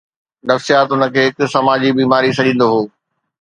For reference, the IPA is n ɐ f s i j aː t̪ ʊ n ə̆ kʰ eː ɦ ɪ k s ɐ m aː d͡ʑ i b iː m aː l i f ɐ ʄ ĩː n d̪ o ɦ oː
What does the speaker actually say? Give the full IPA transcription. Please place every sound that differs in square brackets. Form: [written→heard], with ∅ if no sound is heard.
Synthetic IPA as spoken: n ɐ f s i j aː t̪ ʊ n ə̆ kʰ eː ɦ ɪ k s ɐ m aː d͡ʑ i b iː m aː [l→ɾ] i [f→s] ɐ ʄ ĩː n d̪ o ɦ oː